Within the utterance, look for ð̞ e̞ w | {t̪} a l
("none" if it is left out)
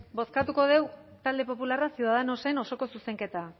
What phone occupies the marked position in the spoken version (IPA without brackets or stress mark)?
t̪